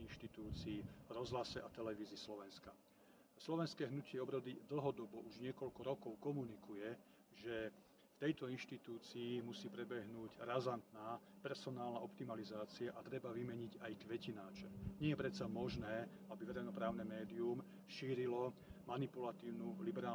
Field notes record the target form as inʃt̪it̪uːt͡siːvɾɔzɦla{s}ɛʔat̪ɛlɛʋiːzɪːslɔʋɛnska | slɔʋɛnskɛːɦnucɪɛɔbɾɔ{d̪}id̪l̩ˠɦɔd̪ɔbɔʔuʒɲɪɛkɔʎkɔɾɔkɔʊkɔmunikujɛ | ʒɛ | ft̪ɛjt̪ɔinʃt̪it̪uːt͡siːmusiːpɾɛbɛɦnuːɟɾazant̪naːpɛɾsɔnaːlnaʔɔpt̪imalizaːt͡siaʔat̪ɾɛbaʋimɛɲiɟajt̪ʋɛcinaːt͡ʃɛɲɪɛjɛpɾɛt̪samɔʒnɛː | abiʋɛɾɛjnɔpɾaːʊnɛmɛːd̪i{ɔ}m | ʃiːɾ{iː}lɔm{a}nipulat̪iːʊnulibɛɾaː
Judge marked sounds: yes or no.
yes, yes, no, no, yes

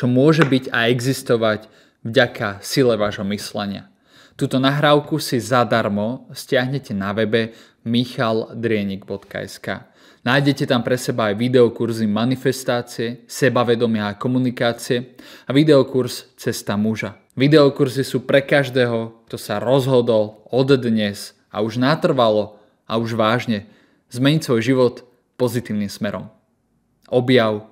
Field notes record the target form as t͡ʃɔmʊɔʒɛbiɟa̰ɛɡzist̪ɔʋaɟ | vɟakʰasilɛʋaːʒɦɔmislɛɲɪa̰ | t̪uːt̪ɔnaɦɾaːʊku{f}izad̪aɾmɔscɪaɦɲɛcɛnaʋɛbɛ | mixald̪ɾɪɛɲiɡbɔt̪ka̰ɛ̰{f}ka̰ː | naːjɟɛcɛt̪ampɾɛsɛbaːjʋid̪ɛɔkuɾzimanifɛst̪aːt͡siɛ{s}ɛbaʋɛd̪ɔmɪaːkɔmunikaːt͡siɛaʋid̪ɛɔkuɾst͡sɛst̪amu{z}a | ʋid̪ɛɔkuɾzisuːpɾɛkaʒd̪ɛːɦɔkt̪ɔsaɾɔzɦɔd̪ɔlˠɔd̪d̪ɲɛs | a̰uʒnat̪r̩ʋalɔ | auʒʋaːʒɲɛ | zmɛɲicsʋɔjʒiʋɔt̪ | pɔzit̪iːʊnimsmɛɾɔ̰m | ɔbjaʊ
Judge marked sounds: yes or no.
no, no, yes, no

